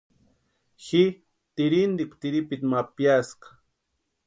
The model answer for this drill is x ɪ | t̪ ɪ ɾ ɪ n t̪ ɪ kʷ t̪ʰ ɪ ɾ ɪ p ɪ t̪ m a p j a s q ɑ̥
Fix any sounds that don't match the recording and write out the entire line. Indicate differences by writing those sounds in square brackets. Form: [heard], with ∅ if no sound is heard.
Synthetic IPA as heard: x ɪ | t̪ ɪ ɾ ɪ n [d̪] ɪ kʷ [t̪] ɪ ɾ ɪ p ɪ t̪ m a p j a s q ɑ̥